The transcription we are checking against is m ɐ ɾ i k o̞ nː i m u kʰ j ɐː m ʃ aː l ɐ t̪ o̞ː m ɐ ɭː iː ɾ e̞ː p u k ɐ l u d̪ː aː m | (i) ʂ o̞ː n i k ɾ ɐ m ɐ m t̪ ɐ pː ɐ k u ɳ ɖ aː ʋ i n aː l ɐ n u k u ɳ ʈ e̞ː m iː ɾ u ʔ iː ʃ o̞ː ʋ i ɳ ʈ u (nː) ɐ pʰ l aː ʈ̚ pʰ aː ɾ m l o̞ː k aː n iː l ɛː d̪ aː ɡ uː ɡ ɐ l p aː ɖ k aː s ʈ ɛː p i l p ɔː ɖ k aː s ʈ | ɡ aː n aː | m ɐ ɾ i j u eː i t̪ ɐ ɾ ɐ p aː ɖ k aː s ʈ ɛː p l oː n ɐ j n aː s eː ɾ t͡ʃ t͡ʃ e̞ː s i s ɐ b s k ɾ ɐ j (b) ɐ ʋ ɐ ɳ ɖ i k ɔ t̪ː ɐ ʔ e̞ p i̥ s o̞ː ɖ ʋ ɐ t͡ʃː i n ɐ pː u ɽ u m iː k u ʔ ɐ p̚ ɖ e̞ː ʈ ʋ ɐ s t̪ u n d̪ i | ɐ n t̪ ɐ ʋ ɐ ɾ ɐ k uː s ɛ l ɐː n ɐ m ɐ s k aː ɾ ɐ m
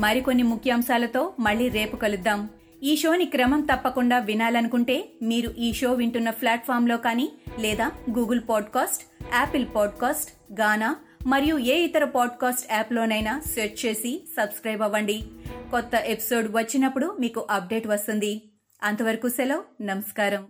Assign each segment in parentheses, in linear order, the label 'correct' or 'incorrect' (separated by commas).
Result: incorrect, correct, correct